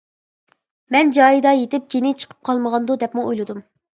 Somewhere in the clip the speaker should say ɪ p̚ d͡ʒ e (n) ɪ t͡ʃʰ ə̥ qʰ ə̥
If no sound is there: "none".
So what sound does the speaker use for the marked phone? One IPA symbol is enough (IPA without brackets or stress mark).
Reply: n